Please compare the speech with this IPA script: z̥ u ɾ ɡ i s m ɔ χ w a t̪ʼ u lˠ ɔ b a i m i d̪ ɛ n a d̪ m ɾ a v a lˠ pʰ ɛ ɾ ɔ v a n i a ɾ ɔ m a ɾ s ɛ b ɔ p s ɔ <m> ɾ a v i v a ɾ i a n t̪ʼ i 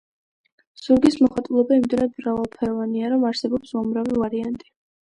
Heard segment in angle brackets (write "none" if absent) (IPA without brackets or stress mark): m